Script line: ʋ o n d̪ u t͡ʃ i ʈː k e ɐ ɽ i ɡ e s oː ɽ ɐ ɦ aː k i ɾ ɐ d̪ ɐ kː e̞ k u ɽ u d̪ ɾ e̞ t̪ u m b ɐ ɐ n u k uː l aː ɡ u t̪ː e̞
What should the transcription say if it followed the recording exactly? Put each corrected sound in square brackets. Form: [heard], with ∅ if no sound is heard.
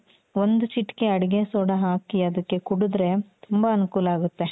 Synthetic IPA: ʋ o n d̪ u t͡ʃ i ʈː k e ɐ ɽ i ɡ e s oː ɽ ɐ ɦ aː k i [∅] ɐ d̪ ɐ kː e̞ k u ɽ u d̪ ɾ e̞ t̪ u m b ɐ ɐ n u k uː l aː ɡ u t̪ː e̞